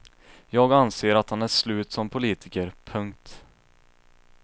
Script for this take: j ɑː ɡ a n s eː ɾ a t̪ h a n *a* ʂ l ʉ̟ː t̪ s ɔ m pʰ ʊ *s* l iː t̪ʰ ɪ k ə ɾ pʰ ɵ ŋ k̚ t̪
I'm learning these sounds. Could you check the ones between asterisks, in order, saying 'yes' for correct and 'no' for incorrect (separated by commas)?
no, no